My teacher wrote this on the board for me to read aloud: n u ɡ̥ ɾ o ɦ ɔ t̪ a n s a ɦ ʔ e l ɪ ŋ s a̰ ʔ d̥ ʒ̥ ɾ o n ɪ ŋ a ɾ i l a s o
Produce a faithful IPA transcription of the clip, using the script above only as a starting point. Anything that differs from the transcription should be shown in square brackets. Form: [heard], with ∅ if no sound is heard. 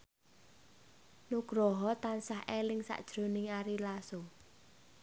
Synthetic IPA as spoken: n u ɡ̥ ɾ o ɦ ɔ t̪ a n s a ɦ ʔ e l ɪ ŋ s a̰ ʔ d̥ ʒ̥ ɾ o n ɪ ŋ a ɾ i l a s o